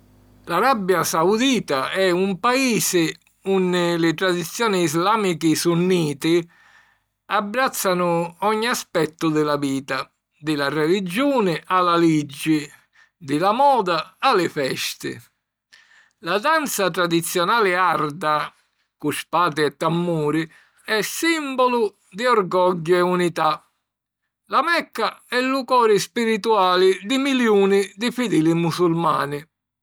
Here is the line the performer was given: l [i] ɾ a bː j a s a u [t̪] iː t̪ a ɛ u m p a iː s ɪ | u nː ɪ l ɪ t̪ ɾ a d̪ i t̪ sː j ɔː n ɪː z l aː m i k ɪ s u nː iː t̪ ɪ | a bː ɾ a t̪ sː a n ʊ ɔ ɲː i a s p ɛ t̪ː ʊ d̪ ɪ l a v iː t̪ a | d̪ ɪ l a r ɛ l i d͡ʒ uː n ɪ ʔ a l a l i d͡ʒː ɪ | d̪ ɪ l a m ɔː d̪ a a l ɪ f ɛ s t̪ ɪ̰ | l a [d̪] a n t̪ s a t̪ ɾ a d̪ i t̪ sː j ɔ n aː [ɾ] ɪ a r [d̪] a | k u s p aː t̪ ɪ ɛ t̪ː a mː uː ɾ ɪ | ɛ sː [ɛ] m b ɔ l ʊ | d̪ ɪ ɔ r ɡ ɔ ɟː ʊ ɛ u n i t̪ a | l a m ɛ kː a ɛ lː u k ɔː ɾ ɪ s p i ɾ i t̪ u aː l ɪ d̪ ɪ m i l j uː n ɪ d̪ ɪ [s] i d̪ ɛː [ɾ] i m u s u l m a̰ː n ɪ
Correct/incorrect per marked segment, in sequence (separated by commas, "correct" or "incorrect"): incorrect, incorrect, correct, incorrect, correct, incorrect, incorrect, incorrect